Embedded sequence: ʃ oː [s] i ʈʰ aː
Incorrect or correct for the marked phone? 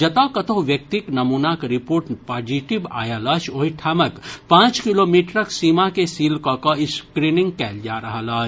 incorrect: none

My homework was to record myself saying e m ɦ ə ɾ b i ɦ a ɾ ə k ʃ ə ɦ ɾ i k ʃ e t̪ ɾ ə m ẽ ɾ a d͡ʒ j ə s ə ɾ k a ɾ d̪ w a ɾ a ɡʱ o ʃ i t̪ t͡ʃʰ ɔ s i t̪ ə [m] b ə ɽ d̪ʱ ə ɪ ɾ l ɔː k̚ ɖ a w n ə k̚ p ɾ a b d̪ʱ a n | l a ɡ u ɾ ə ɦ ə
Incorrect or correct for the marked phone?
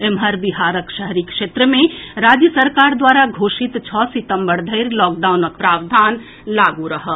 correct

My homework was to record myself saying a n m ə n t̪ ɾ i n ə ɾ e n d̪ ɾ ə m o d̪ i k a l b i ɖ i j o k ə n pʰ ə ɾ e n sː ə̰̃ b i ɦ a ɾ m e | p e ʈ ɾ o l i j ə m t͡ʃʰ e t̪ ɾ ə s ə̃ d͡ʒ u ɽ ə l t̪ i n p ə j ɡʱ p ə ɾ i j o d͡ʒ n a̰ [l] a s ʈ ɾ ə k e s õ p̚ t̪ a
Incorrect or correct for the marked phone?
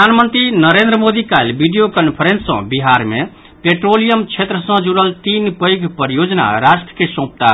incorrect: ɾ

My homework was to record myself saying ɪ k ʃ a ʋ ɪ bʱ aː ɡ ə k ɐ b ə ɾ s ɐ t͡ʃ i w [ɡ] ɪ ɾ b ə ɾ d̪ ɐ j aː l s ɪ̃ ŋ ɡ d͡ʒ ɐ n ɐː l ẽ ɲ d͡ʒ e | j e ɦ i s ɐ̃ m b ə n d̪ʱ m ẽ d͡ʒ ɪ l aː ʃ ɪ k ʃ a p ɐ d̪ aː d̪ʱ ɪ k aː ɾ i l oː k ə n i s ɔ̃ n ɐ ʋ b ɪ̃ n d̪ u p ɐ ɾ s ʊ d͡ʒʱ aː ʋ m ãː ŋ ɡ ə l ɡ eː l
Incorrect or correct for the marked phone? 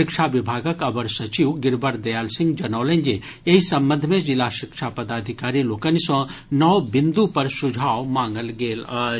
correct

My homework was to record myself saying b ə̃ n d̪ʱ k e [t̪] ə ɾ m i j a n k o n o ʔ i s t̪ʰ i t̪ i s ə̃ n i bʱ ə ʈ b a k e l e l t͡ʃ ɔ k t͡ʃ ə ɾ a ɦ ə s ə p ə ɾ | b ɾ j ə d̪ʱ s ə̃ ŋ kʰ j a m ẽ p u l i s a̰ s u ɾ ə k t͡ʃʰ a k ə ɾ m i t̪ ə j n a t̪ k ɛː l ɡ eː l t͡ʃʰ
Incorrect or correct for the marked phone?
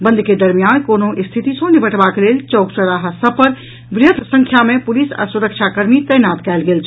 incorrect: d̪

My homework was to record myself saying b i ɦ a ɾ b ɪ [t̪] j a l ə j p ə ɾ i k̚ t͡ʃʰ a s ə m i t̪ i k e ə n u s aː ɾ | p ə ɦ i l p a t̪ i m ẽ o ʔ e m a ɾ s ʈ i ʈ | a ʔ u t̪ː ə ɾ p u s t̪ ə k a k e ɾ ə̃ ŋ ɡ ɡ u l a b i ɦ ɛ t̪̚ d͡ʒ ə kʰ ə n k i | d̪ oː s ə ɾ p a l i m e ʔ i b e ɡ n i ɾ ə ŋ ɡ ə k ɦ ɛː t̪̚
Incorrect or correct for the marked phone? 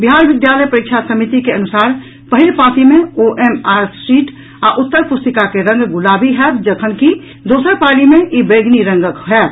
incorrect: d̪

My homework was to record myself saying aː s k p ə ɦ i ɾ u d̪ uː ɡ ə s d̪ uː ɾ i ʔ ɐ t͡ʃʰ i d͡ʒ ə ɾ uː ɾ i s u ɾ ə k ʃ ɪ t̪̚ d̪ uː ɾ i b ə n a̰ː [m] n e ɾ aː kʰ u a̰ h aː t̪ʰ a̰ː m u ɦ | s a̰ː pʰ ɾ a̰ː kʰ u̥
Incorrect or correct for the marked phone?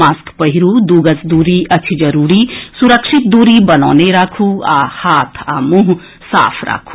incorrect: none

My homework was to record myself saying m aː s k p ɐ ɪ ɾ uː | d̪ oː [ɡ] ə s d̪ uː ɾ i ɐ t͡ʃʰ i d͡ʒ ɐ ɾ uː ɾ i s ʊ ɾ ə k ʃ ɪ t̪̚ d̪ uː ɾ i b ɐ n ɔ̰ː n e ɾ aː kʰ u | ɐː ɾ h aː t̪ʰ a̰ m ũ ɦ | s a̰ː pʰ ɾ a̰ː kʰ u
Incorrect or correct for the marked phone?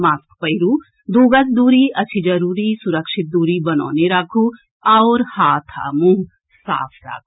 correct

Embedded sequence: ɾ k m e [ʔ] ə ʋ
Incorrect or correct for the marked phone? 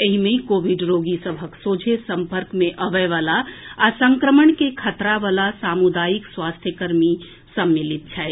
correct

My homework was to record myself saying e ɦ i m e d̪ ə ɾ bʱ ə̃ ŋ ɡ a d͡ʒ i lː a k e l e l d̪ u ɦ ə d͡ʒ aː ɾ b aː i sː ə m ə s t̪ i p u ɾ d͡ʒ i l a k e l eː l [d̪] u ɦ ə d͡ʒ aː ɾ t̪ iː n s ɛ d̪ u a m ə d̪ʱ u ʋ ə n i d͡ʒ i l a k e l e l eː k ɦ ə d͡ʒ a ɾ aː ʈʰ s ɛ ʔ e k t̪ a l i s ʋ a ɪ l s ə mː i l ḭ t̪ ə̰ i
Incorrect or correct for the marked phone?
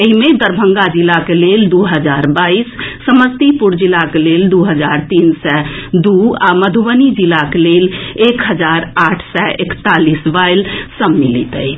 correct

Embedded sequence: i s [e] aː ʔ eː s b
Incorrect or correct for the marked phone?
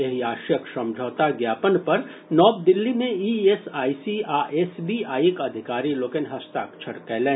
incorrect: i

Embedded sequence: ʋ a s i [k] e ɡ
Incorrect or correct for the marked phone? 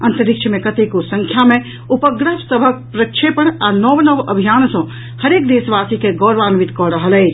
correct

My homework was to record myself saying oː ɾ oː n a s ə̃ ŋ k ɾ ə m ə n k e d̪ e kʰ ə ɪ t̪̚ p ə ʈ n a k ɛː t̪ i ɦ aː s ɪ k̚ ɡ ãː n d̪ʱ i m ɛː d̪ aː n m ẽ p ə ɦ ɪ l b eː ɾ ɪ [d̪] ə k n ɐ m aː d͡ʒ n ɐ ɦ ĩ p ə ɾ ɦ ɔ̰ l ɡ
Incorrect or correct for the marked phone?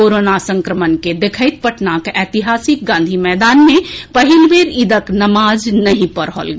correct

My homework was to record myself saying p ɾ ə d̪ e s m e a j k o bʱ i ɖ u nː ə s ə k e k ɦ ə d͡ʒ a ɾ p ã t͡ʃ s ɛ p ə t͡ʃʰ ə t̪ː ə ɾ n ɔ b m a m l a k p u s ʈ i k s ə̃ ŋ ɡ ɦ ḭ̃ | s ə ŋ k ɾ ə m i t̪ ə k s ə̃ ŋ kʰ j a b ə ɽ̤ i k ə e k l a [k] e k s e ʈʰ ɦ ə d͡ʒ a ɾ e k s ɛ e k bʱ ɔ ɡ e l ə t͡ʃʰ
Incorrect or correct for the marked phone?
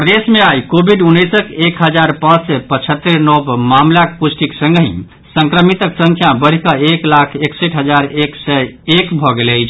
incorrect: kʰ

